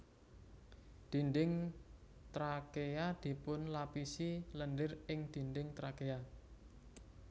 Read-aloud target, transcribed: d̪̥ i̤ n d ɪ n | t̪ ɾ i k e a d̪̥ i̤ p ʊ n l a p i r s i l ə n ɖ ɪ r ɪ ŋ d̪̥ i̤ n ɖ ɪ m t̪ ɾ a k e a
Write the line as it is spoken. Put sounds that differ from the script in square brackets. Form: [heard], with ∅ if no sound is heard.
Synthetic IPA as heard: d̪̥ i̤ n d ɪ [ŋ] | t̪ ɾ [a] k e a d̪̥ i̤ p ʊ n l a p i [∅] s i l ə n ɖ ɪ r ɪ ŋ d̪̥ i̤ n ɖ ɪ [ŋ] t̪ ɾ a k e a